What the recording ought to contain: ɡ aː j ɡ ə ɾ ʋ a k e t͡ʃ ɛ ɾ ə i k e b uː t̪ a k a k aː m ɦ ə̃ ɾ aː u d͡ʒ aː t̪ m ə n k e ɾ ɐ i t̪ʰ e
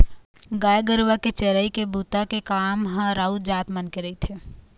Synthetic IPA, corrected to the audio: ɡ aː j ɡ ə ɾ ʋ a k e t͡ʃ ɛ ɾ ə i k e b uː t̪ a k e k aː m ɦ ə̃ ɾ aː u d͡ʒ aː t̪ m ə n k e ɾ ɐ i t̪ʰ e